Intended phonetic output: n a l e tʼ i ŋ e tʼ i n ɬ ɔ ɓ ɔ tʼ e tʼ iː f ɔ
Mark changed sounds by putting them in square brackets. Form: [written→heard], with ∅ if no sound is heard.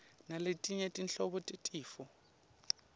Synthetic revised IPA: n a l e tʼ i [ŋ→ɲ] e tʼ i n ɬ ɔ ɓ ɔ tʼ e tʼ iː f ɔ